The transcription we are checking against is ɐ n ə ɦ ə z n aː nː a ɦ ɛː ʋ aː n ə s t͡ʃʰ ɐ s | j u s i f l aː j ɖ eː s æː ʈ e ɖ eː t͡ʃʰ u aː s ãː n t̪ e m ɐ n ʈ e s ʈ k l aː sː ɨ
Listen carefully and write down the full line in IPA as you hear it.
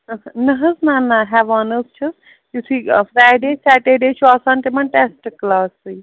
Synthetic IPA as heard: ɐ n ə ɦ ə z n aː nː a ɦ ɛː ʋ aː n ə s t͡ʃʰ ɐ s | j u s i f ɾ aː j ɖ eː s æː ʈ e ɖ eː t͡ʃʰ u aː s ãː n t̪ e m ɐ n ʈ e s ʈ k l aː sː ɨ